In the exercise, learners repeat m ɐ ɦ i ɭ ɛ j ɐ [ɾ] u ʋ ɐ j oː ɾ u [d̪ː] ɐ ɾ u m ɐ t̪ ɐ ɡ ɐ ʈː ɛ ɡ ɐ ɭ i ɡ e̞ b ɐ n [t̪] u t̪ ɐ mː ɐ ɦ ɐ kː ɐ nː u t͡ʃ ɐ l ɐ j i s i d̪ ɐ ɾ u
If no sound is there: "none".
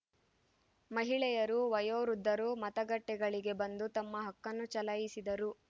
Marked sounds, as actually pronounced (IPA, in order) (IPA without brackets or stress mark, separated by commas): ɾ, d̪ː, d̪